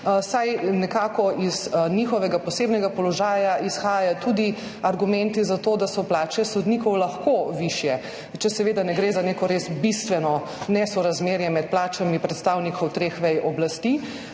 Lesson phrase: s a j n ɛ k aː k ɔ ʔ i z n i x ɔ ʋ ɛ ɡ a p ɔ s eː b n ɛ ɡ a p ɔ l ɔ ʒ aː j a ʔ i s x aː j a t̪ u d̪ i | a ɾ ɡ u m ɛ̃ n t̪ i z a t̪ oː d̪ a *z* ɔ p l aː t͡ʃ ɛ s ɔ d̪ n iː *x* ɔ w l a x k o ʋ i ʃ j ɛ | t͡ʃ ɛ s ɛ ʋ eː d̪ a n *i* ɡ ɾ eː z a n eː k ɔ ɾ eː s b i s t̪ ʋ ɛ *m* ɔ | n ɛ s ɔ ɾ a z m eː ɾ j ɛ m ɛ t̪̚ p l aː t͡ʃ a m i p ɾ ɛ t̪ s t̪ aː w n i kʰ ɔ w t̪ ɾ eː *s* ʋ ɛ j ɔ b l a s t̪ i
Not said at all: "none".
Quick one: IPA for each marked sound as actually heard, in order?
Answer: s, k, ɛ, n, x

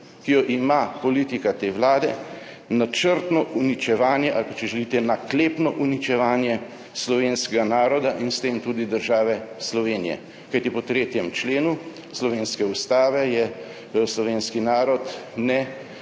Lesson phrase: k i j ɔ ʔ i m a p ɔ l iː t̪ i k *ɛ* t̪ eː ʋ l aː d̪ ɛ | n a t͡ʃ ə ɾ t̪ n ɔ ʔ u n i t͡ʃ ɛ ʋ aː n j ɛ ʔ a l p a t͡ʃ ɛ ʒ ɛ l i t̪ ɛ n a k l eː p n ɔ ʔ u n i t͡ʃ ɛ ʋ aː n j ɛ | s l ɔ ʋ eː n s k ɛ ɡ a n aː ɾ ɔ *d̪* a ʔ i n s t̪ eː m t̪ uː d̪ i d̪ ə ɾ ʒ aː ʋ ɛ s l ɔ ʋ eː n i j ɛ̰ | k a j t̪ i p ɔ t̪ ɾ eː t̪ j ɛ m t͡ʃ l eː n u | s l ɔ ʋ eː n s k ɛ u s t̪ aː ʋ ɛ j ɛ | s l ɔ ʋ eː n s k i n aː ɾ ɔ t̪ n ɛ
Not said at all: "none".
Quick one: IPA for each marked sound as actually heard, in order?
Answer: a, d̪

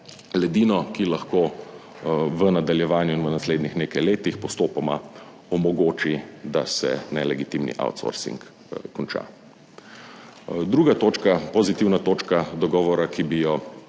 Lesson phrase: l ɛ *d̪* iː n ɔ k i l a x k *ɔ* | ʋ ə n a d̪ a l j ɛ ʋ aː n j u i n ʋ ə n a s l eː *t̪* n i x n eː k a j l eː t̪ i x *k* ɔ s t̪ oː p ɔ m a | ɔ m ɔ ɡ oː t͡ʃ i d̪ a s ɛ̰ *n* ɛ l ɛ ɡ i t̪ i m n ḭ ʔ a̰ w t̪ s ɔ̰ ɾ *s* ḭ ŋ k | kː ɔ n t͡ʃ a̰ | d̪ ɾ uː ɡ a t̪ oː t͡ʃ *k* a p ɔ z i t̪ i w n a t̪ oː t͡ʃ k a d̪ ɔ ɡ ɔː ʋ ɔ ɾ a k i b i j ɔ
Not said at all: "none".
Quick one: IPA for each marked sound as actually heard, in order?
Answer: d̪, o, d̪, p, n, s, k

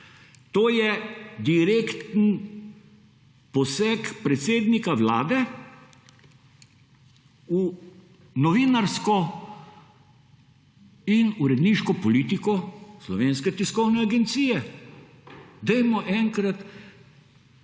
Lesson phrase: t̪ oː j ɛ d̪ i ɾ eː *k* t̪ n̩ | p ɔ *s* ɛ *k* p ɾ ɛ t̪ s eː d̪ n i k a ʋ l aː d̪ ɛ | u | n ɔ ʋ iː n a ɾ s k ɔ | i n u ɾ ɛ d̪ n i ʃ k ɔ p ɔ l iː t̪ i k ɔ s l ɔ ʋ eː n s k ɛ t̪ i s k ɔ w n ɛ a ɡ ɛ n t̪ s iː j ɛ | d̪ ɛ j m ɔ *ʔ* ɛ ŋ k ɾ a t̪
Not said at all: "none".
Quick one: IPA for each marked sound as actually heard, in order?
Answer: k, s, k, ʔ

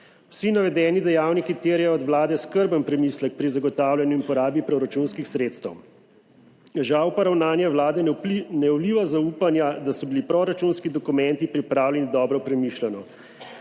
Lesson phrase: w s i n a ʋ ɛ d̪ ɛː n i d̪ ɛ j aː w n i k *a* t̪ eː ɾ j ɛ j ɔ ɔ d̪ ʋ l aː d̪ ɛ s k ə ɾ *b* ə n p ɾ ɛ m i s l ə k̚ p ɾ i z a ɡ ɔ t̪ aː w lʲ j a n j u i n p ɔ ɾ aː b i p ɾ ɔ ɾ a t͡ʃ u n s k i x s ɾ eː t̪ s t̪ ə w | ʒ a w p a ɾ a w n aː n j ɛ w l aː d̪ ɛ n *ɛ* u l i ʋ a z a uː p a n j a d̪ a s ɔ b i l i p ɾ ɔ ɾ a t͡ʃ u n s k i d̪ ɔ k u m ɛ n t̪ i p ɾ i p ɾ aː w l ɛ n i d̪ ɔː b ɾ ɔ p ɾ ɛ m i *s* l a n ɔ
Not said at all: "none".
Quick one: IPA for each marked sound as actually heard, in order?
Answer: i, b, ɛ, ʃ

